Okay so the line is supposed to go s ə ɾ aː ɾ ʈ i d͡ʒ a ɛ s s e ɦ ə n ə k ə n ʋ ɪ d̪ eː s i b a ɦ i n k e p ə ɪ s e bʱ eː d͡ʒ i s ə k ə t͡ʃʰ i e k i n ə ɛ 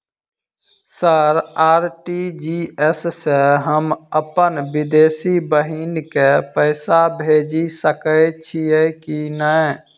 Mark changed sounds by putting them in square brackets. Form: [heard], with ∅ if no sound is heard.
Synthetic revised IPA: s ə ɾ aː ɾ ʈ i d͡ʒ [i] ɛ s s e ɦ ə [m] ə [p] ə n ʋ ɪ d̪ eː s i b [ə] ɦ i n k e p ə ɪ s [a] bʱ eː d͡ʒ i s ə k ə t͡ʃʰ i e k i n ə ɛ